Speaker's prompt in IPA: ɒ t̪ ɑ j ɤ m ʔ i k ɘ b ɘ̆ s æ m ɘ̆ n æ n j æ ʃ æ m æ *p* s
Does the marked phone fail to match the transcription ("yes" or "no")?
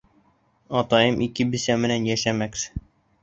yes